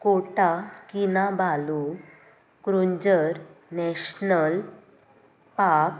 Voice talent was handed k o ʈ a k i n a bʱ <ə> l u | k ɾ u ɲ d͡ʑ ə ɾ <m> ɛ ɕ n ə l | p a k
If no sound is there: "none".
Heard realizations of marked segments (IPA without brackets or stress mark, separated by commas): a, n